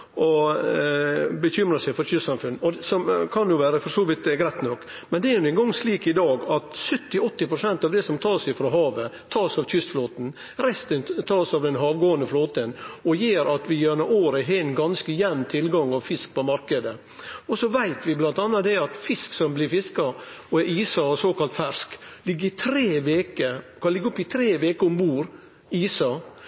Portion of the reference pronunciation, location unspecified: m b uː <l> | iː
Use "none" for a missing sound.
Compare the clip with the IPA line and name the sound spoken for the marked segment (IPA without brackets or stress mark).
ɾ